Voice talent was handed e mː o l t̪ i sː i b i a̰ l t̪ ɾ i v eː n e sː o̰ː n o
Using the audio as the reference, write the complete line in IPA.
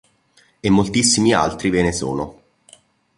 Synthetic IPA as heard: e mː o l t̪ i sː i m i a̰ l t̪ ɾ i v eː n e s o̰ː n o